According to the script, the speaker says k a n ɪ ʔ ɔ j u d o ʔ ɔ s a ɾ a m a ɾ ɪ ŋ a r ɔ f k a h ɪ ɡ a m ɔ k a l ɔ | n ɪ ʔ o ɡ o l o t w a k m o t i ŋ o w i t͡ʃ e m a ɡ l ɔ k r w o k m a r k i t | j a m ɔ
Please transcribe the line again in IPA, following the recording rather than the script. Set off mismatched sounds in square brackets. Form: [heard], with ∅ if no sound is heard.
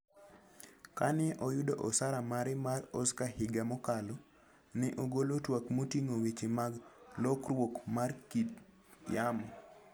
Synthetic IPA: k a n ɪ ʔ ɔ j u d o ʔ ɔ s a ɾ a m a ɾ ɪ [m] a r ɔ [s] k a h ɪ ɡ a m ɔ k a l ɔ | n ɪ ʔ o ɡ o l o t w a k m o t i ŋ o w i t͡ʃ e m a ɡ l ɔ k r w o k m a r k i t | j a m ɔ